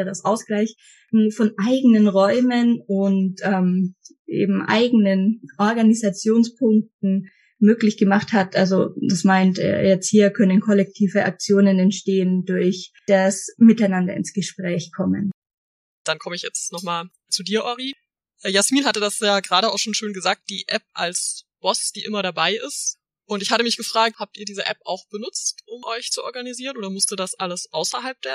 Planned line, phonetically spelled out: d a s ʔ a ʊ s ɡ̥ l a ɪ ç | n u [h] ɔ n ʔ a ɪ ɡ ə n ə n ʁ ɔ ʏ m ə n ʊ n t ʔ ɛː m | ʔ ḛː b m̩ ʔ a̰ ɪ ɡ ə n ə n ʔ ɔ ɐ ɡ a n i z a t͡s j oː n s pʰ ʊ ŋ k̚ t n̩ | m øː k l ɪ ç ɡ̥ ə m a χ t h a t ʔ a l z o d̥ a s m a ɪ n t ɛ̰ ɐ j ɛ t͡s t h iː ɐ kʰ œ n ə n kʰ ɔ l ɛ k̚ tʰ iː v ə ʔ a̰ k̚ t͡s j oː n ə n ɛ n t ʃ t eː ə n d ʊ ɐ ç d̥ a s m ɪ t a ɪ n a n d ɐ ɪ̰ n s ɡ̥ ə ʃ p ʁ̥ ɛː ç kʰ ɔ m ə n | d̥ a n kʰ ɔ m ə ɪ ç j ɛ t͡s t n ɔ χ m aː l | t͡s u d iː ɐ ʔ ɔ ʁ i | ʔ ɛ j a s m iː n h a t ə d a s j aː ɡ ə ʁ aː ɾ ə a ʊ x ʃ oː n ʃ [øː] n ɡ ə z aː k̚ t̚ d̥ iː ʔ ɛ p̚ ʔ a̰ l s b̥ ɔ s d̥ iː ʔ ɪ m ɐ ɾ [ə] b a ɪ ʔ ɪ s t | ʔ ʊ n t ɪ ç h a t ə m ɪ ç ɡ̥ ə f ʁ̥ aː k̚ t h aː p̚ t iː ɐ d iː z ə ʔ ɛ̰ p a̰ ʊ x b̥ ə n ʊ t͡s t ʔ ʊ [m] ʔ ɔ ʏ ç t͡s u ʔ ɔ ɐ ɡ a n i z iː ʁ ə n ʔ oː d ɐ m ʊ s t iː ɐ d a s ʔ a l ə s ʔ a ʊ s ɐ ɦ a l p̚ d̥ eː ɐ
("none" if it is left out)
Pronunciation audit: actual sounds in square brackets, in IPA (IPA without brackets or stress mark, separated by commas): f, øː, a, m